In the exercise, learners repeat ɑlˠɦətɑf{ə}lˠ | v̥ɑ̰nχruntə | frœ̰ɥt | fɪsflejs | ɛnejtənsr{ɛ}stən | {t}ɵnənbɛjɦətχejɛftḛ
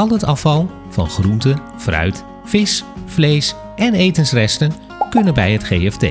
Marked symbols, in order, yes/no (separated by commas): no, yes, no